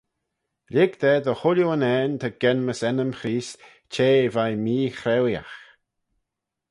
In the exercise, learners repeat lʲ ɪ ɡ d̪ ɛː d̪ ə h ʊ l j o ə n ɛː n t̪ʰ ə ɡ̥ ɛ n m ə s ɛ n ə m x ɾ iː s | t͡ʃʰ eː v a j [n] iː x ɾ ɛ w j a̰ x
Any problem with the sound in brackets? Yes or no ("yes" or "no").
yes